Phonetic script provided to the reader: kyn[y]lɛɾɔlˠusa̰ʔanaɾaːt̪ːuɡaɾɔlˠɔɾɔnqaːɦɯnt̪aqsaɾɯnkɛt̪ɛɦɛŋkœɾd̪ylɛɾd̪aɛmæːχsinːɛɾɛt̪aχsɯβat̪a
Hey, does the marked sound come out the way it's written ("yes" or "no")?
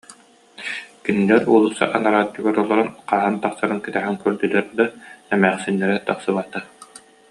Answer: no